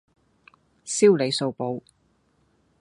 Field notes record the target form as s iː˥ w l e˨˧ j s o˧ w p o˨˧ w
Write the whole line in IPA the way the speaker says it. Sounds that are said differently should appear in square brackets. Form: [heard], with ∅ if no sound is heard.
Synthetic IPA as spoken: s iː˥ w l e˨˧ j s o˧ w p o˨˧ w